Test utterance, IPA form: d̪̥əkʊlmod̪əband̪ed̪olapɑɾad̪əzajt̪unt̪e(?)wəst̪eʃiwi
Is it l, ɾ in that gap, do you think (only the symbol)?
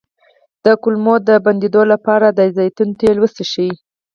l